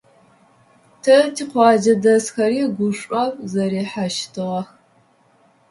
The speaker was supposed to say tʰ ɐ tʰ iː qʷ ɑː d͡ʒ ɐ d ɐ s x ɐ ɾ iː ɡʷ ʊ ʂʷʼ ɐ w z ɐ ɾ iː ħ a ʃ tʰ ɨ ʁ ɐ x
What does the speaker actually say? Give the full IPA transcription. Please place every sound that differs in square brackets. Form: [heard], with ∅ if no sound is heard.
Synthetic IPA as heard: tʰ ɐ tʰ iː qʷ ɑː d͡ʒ ɐ d ɐ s x ɐ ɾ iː ɡʷ ʊ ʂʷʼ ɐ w z ɐ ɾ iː ħ a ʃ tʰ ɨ ʁ ɐ x